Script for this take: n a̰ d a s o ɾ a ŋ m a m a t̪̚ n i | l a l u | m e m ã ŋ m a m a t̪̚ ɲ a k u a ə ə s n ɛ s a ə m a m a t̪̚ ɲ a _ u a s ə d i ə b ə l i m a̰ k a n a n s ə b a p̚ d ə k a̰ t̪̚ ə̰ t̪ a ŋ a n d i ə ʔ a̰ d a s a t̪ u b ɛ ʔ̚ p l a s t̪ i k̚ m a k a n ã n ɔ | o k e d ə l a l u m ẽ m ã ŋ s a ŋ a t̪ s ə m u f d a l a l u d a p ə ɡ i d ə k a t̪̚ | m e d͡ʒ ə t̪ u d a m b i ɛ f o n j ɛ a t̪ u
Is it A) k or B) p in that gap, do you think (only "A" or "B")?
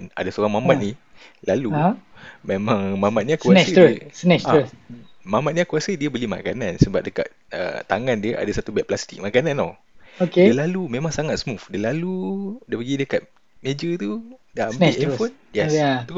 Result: A